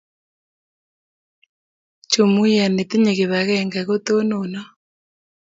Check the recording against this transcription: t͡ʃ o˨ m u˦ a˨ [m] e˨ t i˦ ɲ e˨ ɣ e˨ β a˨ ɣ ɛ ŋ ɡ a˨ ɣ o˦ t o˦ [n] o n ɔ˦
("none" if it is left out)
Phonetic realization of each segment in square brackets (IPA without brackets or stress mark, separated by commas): n, n